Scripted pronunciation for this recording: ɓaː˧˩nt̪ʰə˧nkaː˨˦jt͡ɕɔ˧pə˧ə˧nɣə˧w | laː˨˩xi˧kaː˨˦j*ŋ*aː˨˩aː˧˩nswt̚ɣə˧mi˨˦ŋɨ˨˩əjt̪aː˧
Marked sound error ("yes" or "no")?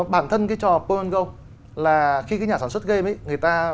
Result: yes